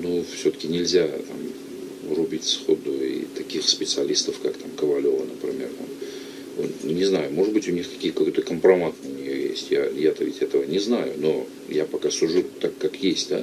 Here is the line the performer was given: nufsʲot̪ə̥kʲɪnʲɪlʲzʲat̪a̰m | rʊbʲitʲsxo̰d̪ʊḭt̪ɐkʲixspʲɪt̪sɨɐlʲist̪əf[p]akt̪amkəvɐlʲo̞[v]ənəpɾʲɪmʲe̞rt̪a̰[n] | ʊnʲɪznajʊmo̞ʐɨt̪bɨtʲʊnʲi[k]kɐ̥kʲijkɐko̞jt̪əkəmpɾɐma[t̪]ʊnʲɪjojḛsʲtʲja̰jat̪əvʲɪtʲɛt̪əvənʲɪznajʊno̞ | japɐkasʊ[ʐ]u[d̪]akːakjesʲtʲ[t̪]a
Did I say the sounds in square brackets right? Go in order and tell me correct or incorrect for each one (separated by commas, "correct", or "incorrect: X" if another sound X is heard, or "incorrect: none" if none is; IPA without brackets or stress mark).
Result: incorrect: k, correct, incorrect: m, incorrect: x, correct, correct, incorrect: t̪, incorrect: d̪